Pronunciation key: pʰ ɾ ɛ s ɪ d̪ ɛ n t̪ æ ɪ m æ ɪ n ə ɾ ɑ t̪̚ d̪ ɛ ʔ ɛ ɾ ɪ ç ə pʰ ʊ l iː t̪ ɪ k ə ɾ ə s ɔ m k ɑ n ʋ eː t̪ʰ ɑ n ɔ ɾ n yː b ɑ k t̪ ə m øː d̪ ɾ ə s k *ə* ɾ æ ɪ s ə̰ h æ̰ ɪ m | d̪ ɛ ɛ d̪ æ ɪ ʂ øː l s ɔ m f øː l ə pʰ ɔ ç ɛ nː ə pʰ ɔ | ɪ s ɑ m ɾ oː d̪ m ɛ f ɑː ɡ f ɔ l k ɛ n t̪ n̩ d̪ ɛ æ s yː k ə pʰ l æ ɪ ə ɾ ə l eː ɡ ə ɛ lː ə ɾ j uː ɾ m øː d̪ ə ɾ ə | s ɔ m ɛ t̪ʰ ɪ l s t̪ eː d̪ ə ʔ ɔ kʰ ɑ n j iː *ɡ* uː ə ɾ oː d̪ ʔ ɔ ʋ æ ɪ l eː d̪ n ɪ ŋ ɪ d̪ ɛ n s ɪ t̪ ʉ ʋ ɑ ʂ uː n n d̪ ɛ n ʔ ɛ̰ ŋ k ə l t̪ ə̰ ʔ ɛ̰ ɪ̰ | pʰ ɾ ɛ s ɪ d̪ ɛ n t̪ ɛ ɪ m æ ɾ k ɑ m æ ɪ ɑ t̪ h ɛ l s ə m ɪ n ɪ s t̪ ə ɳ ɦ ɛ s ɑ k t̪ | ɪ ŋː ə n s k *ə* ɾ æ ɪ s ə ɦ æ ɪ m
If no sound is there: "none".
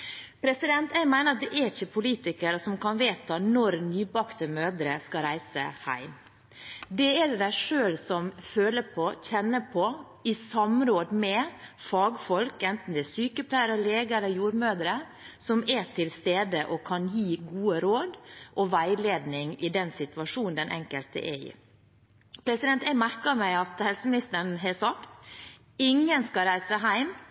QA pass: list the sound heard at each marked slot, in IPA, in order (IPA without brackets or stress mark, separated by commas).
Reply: ɑ, ɡ, ɑ